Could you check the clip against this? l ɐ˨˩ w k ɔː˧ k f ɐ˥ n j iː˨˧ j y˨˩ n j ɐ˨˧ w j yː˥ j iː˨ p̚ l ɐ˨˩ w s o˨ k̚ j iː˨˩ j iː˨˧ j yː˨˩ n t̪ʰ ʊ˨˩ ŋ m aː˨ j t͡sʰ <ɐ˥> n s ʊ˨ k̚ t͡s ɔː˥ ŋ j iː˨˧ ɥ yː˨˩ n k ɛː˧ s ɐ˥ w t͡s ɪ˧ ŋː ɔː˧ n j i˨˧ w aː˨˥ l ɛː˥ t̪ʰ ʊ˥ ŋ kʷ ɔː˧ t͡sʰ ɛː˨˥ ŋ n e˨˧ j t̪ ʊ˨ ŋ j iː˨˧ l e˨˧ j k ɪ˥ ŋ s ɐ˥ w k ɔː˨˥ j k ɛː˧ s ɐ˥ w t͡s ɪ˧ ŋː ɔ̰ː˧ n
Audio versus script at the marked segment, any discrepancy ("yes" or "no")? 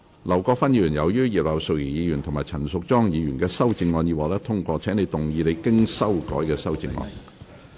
yes